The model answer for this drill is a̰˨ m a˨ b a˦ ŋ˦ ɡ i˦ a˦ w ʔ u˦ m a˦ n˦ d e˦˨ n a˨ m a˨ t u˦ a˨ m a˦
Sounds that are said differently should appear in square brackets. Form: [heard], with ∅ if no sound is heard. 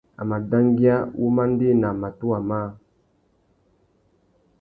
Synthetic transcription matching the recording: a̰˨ m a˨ [d] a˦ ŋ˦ ɡ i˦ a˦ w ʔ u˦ m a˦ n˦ d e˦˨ n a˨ m a˨ t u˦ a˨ m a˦